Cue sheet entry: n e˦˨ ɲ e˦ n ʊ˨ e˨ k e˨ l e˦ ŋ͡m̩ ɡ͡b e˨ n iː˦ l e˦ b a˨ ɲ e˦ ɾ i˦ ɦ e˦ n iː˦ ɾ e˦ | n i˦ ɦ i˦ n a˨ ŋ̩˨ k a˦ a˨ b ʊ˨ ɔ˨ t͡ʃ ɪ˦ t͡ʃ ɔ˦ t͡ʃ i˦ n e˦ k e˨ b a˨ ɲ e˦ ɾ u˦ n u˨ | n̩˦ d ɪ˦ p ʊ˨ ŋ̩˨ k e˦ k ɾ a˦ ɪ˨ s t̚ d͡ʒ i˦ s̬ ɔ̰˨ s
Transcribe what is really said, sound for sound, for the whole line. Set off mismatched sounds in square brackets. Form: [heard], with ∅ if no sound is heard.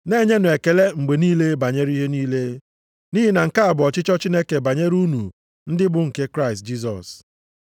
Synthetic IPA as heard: n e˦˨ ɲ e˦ n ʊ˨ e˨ k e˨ l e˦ ŋ͡m̩ ɡ͡b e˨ n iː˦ l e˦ b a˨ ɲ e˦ ɾ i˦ ɦ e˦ n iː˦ [l] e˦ | n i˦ ɦ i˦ n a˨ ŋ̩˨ k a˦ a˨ b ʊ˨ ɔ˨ t͡ʃ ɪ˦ t͡ʃ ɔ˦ t͡ʃ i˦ n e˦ k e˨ b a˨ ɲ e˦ ɾ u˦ n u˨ | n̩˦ d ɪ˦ [b] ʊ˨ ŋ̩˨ k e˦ k ɾ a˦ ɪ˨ s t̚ d͡ʒ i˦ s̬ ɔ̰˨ s